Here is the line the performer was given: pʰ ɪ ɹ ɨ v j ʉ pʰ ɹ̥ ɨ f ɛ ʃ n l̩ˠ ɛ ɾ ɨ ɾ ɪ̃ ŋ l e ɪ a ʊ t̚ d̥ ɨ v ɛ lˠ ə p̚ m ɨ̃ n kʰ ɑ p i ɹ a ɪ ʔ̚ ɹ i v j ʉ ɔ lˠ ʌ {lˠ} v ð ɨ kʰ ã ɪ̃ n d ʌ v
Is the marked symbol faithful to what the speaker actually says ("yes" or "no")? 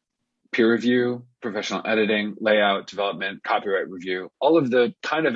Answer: no